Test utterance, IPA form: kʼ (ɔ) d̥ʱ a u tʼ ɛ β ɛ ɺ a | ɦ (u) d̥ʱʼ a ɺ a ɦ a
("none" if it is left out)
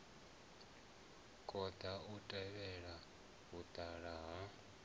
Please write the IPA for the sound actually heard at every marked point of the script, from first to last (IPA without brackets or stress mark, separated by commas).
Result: ɔ, u